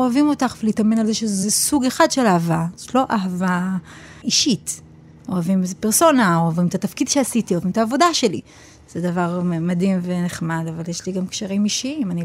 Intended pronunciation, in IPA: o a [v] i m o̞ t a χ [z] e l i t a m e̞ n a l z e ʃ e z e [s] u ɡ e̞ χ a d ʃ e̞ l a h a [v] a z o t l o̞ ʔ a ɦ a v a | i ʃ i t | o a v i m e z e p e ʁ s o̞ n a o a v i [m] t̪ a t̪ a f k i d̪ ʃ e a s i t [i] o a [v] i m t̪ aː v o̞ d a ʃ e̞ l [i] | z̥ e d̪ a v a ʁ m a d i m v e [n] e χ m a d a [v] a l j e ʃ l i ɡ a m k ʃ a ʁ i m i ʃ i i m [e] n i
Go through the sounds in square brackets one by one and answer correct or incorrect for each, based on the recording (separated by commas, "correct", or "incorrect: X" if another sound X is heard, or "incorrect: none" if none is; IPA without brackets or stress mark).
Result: correct, incorrect: v, correct, correct, correct, correct, correct, correct, correct, correct, incorrect: a